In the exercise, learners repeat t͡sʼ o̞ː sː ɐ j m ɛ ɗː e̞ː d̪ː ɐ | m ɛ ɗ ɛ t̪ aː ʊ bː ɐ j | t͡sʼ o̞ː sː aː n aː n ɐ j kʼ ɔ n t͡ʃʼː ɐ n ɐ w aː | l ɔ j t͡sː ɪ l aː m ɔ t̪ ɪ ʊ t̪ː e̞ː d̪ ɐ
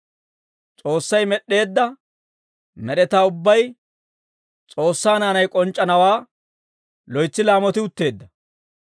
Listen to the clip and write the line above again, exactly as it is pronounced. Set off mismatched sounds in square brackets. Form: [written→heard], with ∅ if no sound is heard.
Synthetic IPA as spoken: t͡sʼ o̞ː sː ɐ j m ɛ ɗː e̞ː d̪ː ɐ | m ɛ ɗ ɛ t̪ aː ʊ bː ɐ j | t͡sʼ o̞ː sː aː n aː n ɐ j kʼ ɔ n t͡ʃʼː ɐ n ɐ w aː | l ɔ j t͡sː ɪ l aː m ɔ t̪ ɪ ʊ t̪ː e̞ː [d̪→d̪ː] ɐ